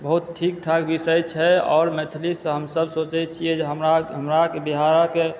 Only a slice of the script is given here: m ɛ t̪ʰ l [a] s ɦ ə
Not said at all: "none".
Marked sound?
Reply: i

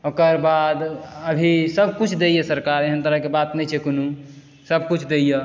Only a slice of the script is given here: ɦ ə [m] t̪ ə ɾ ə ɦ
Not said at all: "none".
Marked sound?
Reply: n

